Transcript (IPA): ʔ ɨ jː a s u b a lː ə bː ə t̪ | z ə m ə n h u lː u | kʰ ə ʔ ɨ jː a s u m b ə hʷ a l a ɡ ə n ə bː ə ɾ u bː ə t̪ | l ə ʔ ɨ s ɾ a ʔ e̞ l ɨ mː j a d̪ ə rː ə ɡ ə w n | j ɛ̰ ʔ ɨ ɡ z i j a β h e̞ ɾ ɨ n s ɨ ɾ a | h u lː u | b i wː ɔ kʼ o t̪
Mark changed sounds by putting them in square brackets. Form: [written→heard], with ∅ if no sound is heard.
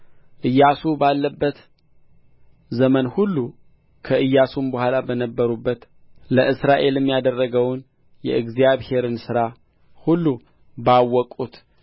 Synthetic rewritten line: ʔ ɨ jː a s u b a lː ə bː ə t̪ | z ə m ə n h u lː u | kʰ ə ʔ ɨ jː a s u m b ə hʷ a l a [ɡ→b] ə n ə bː ə ɾ u bː ə t̪ | l ə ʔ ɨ s ɾ a ʔ e̞ l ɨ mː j a d̪ ə rː ə ɡ ə w n | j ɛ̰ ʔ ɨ ɡ z i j a β h e̞ ɾ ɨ n s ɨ ɾ a | h u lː u | b [i→a] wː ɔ kʼ [o→u] t̪